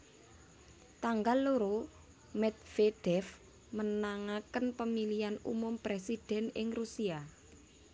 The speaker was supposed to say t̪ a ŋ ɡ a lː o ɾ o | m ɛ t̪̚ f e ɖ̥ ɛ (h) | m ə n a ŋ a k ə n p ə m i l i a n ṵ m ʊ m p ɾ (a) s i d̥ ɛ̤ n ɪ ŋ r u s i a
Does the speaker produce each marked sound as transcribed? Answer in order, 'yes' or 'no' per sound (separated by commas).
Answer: no, no